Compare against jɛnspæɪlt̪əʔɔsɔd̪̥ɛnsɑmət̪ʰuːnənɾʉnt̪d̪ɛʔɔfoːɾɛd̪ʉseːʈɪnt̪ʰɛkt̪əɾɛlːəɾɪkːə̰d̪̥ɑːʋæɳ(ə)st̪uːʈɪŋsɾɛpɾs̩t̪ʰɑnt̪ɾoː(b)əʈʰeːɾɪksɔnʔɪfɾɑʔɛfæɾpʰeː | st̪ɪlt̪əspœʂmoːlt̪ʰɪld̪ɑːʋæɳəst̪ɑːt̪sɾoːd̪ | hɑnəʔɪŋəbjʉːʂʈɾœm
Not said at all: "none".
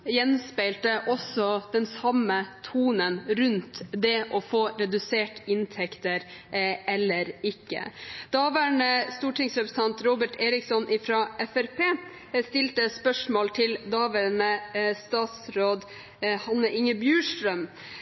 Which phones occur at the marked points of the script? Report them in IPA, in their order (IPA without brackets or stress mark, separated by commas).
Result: ə, b